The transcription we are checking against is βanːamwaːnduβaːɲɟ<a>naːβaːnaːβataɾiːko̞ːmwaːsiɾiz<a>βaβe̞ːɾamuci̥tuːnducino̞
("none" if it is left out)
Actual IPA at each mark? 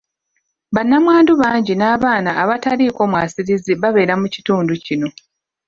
i, i

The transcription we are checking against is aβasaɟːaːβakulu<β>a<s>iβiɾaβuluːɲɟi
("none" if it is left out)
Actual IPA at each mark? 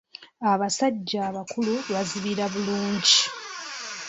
β, z

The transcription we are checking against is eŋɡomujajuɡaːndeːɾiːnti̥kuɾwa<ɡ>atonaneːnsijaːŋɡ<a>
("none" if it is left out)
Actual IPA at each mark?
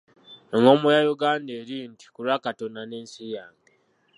k, e

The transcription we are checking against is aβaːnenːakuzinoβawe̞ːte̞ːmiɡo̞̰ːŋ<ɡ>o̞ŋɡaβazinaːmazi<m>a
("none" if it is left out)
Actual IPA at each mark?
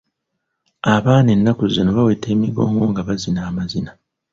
ɡ, n

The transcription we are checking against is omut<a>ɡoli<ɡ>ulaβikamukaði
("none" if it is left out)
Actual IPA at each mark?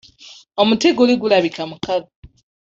e, ɡ

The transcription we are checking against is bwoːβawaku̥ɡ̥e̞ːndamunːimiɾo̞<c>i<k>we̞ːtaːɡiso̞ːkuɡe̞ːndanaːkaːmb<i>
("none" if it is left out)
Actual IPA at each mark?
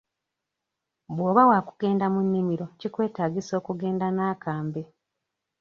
c, k, e

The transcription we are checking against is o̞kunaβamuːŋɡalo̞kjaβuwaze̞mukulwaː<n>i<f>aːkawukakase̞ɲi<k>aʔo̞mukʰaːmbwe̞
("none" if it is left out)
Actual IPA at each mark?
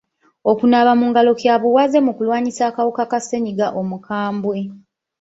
ɲ, s, ɡ

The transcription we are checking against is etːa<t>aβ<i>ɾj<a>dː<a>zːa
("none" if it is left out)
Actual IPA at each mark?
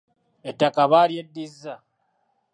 k, a, e, i

